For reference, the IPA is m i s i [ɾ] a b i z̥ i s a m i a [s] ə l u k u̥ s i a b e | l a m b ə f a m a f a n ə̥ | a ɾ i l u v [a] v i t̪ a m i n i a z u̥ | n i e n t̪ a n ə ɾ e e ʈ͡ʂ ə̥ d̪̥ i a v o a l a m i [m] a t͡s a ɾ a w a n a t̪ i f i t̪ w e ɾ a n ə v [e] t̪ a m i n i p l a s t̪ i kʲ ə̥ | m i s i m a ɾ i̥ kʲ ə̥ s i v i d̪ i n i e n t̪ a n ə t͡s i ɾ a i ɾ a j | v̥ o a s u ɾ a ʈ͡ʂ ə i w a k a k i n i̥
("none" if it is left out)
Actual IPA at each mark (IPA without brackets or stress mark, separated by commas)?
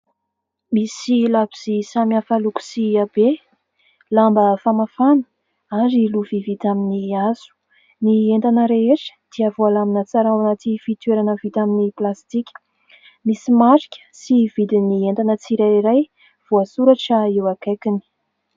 l, f, i, n, i